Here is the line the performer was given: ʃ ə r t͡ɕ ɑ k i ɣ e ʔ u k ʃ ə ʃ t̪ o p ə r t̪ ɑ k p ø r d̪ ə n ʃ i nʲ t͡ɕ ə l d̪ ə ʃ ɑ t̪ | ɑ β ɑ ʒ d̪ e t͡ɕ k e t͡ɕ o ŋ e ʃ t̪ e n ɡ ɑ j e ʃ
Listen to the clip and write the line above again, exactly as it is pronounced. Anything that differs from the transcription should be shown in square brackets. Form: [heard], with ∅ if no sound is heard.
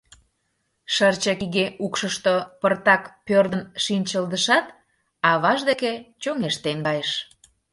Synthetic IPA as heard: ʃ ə r t͡ɕ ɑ k i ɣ e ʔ u k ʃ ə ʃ t̪ o p ə r t̪ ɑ k p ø r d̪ ə n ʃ i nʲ t͡ɕ ə l d̪ ə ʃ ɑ t̪ | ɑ β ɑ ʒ d̪ e [∅] k e t͡ɕ o ŋ e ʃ t̪ e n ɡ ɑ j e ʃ

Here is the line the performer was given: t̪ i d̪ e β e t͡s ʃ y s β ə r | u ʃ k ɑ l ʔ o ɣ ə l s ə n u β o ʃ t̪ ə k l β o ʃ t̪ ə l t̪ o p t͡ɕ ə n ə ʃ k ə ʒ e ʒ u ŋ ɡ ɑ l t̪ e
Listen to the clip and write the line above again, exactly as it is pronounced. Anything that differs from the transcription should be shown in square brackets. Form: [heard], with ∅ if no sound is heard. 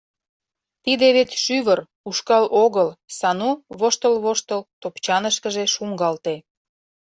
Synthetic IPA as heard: t̪ i d̪ e β e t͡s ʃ y [∅] β ə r | u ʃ k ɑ l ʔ o ɣ ə l s [ɑ] n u β o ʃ t̪ ə [∅] l β o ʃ t̪ ə l t̪ o p t͡ɕ [ɑ] n ə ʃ k ə ʒ e [ʃ] u ŋ ɡ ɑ l t̪ e

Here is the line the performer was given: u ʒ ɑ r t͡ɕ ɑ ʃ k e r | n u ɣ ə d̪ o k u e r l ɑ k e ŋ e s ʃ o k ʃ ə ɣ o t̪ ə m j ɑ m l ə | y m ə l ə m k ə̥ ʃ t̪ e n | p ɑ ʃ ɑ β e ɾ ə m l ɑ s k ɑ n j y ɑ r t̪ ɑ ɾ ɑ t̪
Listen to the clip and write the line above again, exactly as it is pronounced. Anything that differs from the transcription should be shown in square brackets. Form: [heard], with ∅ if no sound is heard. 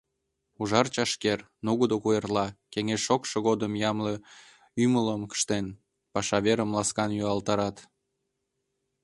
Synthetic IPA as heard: u ʒ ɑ r t͡ɕ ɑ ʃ k e r | n u ɣ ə d̪ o k u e r l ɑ k e ŋ e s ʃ o k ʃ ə ɣ o [d̪] ə m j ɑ m l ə | y m ə l ə m k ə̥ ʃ t̪ e n | p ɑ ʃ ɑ β e ɾ ə m l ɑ s k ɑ n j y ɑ [l] t̪ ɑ ɾ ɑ t̪

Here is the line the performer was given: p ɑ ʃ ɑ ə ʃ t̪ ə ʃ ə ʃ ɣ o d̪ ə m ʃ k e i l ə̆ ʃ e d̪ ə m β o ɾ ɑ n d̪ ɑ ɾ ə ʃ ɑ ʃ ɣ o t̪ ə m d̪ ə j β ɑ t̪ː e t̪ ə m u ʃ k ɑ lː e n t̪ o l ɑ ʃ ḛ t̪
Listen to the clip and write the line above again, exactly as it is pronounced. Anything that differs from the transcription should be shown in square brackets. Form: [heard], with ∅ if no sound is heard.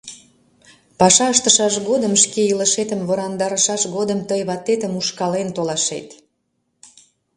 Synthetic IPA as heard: p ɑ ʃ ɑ ə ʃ t̪ ə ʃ [ɑ] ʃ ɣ o d̪ ə m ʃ k e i l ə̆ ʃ e [t̪] ə m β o ɾ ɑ n d̪ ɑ ɾ ə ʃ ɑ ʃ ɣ o [d̪] ə m [t̪] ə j β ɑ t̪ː e t̪ ə m u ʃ k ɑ [l] e n t̪ o l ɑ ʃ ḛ t̪

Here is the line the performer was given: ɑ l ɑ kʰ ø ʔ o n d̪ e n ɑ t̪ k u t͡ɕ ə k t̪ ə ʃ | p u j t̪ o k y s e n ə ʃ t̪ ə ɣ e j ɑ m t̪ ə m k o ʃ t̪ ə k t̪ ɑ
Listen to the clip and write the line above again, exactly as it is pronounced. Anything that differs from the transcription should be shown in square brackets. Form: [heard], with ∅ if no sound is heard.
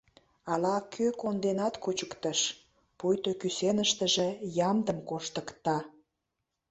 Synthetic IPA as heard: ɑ l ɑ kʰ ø [k] o n d̪ e n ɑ t̪ k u t͡ɕ ə k t̪ ə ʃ | p u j t̪ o k y s e n ə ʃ t̪ ə [ʒ] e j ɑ m [d̪] ə m k o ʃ t̪ ə k t̪ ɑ

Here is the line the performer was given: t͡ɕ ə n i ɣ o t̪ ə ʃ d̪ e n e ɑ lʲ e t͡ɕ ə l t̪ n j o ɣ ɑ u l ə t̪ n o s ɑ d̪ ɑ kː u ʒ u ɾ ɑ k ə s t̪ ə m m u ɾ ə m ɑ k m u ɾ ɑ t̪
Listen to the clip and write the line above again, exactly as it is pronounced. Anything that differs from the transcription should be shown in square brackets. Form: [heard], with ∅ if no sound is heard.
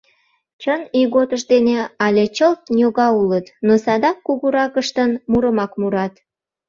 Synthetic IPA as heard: t͡ɕ ə n i ɣ o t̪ ə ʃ d̪ e n e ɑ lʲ e t͡ɕ ə l t̪ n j o ɣ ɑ u l ə t̪ n o s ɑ d̪ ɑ kː u [ɣ] u ɾ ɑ k ə [ʃ] t̪ ə [n] m u ɾ ə m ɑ k m u ɾ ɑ t̪

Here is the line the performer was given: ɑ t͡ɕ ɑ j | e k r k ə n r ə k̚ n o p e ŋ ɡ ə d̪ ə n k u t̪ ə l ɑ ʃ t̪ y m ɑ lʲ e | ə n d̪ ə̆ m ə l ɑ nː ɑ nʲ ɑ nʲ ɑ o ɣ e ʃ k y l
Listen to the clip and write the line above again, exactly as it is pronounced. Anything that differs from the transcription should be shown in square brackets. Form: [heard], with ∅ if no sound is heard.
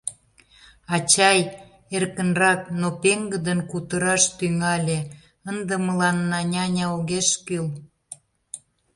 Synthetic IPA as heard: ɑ t͡ɕ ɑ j | e [∅] r k ə n r [ɑ] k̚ n o p e ŋ ɡ ə d̪ ə n k u t̪ ə [ɾ] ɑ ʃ t̪ y [ŋ] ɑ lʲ e | ə n d̪ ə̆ m ə l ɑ nː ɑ nʲ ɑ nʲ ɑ o ɣ e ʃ k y l

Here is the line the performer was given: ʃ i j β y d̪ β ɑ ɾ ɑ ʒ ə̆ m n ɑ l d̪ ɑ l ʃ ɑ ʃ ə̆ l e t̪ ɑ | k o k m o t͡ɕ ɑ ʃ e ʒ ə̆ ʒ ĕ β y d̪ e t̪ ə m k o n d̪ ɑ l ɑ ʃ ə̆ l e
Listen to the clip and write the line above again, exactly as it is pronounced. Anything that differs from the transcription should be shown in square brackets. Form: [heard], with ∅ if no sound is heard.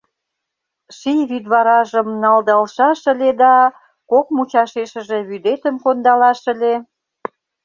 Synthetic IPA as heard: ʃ i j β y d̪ β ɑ ɾ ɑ ʒ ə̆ m n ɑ l d̪ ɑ l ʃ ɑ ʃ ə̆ l e [d̪] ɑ | k o k m [u] t͡ɕ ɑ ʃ e [ʃ] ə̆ ʒ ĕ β y d̪ e t̪ ə m k o n d̪ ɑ l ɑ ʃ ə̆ l e

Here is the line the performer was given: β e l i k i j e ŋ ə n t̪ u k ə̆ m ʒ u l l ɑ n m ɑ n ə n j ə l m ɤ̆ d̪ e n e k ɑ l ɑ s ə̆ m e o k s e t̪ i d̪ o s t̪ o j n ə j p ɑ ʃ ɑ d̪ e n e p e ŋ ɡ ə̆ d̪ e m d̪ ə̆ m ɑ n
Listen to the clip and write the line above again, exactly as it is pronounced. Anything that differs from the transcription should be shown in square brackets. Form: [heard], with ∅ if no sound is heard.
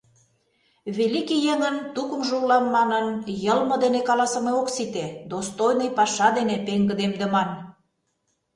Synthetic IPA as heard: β e l i k i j e ŋ ə n t̪ u k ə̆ m ʒ u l l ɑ n m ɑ n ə n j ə l m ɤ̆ d̪ e n e k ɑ l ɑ s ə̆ m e o k s [i] t̪ [e] d̪ o s t̪ o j n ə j p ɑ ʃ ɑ d̪ e n e p e ŋ ɡ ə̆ d̪ e m d̪ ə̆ m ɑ n

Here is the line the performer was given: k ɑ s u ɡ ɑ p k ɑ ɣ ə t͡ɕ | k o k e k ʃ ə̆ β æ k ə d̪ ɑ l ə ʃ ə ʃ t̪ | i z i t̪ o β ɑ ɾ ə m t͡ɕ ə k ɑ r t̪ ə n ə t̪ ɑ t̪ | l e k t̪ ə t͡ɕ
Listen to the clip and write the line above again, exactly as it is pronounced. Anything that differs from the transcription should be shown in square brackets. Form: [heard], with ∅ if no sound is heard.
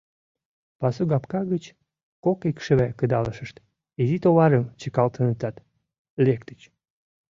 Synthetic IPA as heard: [p] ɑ s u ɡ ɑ p k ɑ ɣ ə t͡ɕ | k o k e k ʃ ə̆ β æ k ə d̪ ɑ l ə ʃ ə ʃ t̪ | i z i t̪ o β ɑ ɾ ə m t͡ɕ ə k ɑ [l] t̪ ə n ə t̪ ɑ t̪ | l e k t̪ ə t͡ɕ

